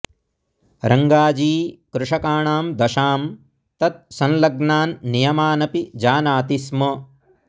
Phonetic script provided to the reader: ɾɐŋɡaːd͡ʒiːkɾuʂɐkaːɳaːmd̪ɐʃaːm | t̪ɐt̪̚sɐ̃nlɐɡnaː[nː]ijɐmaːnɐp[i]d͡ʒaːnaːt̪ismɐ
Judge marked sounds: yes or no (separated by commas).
yes, yes